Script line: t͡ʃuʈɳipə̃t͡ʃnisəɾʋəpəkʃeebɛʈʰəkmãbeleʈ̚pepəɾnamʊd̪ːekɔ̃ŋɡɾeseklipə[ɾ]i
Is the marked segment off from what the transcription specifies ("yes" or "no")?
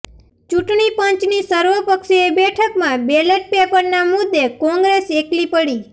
yes